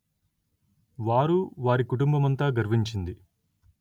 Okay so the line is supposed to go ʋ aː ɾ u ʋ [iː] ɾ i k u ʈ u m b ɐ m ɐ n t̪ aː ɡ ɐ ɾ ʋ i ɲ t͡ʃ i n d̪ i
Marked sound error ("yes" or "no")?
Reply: yes